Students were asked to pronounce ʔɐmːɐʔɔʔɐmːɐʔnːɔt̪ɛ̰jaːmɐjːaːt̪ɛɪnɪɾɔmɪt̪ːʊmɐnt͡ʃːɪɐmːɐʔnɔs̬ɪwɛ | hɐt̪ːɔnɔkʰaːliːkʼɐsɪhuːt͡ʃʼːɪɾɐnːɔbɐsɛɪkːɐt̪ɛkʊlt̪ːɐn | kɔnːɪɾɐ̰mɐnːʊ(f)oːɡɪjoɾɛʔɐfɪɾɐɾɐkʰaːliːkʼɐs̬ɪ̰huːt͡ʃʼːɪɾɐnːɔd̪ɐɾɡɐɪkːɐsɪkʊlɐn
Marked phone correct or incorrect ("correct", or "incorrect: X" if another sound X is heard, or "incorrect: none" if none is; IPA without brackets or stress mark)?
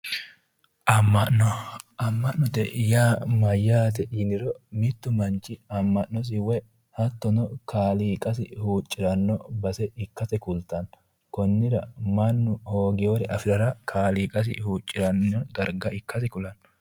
incorrect: h